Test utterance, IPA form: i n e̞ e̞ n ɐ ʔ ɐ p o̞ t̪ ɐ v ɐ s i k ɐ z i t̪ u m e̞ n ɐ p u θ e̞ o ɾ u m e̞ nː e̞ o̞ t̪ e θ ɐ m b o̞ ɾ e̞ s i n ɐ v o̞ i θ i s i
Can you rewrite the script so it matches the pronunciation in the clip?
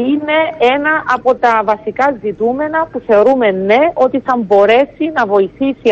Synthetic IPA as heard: i n e̞ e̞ n ɐ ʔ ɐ p o̞ t̪ ɐ v ɐ s i k ɐ z i t̪ u m e̞ n ɐ p u θ e̞ o ɾ u m e̞ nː e̞ o̞ t̪ i θ ɐ m b o̞ ɾ e̞ s i n ɐ v o̞ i θ i s i